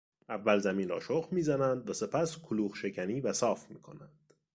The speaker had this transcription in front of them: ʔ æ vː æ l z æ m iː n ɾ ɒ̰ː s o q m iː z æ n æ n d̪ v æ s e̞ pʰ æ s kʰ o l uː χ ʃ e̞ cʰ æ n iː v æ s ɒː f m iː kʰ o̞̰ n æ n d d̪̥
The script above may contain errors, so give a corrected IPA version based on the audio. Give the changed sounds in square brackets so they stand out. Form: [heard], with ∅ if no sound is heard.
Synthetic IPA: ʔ æ vː æ l z æ m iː n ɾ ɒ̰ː [ʃ] o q m iː z æ n æ n d̪ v æ s e̞ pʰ æ s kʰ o l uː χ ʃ e̞ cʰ æ n iː v æ s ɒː f m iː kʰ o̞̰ n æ n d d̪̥